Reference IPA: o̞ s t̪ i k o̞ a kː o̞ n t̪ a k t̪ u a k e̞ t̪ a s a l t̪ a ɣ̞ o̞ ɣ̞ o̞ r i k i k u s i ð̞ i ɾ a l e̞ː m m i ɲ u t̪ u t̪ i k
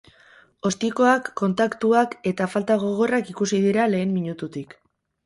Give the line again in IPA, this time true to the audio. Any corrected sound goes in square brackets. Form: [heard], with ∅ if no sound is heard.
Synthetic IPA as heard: o̞ s t̪ i k o̞ a kː o̞ n t̪ a k t̪ u a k e̞ t̪ a [f] a l t̪ a ɣ̞ o̞ ɣ̞ o̞ r [a] k i k u s i ð̞ i ɾ a l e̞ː m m i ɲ u t̪ u t̪ i k